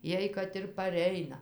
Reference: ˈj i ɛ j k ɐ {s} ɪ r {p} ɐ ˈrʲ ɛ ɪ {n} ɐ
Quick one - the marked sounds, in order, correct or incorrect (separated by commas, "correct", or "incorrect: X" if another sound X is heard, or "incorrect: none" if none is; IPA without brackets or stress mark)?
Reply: incorrect: t, correct, correct